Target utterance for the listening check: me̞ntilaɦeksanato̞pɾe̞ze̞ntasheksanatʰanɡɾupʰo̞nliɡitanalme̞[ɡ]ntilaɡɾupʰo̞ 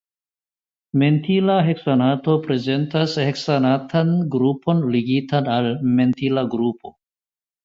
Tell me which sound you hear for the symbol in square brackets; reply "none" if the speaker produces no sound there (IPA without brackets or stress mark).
none